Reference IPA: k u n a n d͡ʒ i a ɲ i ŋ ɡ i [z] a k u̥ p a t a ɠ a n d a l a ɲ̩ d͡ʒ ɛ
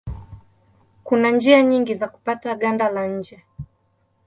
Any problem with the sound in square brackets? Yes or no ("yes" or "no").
no